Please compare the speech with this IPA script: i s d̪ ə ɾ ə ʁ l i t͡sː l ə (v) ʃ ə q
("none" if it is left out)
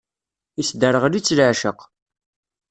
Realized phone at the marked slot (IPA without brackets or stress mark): ʕ